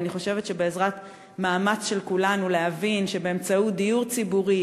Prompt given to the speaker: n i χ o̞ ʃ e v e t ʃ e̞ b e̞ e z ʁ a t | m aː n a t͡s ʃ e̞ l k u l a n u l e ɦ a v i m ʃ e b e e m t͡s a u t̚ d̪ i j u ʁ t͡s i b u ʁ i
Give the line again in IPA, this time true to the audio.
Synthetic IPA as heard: n i χ o̞ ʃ e v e t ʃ e̞ b e̞ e z ʁ a t | m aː m a t͡s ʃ e̞ l k u l a n u l e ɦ a v i n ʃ e b e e m t͡s a u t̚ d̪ i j u ʁ t͡s i b u ʁ i